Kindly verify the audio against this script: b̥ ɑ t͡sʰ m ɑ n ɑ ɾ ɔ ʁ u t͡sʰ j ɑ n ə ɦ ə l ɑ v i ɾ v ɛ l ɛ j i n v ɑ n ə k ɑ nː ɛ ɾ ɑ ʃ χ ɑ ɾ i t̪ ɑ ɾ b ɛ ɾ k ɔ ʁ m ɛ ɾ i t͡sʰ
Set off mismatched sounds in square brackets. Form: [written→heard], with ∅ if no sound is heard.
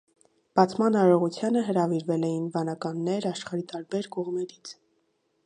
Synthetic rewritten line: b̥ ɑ t͡sʰ m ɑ n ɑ ɾ ɔ ʁ u t͡sʰ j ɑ n ə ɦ ə [l→ɾ] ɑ v i ɾ v ɛ l ɛ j i n v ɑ n [ə→ɑ] k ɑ nː ɛ ɾ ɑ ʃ χ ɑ ɾ i t̪ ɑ ɾ b ɛ ɾ k ɔ ʁ m ɛ ɾ i t͡sʰ